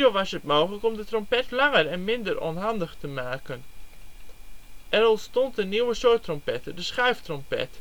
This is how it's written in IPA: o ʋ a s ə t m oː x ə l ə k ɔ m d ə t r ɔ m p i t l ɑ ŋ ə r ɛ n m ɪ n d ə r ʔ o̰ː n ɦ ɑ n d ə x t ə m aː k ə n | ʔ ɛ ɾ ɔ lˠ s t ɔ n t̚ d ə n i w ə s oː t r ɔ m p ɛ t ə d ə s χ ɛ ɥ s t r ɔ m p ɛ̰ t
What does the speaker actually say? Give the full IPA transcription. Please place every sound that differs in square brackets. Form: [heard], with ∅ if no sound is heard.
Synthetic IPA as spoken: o ʋ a s ə t m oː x ə l ə k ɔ m d ə t r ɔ m p [ɛ] t l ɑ ŋ ə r ɛ n m ɪ n d ə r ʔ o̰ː n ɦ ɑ n d ə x t ə m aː k ə n | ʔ ɛ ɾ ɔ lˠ s t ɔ n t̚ d ə n i w ə s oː t r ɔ m p ɛ t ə d ə s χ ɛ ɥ [f] t r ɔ m p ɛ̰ t